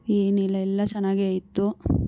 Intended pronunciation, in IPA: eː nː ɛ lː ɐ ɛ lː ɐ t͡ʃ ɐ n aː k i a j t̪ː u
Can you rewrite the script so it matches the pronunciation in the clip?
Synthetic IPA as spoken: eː n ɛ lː ɐ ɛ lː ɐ t͡ʃ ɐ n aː ɡ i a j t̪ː u